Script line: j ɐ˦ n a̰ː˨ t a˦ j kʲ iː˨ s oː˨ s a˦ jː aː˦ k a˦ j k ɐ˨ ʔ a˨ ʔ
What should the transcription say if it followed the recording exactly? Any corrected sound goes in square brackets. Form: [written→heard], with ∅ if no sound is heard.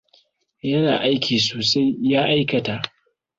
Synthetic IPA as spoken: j ɐ˦ n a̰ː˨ [t→ʔ] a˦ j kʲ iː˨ s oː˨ s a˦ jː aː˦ [k→ʔ] a˦ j k ɐ˨ [ʔ→t] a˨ ʔ